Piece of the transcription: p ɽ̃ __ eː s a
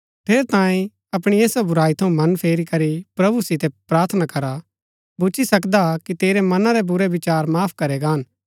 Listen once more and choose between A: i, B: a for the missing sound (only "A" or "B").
A